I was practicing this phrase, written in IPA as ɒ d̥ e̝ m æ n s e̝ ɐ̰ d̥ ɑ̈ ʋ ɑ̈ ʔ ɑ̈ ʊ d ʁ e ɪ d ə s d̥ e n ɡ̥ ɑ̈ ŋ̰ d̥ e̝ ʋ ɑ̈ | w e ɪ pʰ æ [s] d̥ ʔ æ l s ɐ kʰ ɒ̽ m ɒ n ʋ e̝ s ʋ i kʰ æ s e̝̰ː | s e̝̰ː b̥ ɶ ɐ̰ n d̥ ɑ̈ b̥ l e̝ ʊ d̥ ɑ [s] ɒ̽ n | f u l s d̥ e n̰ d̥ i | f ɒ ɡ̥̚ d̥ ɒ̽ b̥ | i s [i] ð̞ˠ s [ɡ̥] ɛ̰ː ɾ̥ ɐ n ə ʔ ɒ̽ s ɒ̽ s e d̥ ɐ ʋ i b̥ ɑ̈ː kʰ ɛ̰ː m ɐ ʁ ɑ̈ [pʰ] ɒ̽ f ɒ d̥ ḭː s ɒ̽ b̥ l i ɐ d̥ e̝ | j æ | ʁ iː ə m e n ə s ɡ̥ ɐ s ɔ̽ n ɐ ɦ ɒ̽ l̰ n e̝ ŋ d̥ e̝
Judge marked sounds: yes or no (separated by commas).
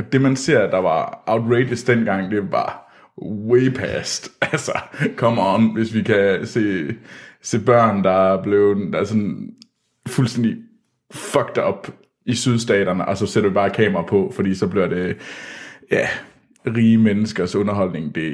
yes, yes, no, no, yes